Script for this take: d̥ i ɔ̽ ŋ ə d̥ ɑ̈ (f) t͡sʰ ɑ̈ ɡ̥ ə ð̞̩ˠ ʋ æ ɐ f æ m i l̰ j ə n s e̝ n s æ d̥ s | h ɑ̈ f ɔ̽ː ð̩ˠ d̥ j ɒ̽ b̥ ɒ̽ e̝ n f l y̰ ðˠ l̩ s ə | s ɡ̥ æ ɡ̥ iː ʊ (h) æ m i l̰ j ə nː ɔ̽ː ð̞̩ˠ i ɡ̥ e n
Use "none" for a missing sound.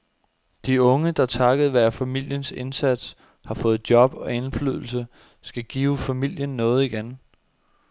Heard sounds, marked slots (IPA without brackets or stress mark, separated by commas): none, f